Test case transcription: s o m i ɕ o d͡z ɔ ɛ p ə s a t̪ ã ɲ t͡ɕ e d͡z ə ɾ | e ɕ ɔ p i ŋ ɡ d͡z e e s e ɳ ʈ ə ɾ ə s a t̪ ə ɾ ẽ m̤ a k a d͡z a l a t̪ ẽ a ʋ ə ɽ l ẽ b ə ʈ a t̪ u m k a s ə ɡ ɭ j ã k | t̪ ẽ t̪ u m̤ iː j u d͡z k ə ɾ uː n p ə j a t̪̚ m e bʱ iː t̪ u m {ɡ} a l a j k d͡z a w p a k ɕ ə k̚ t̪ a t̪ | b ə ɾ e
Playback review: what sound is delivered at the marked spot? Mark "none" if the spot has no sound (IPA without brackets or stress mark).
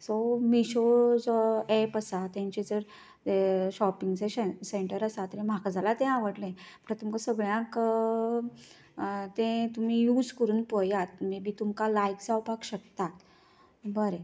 k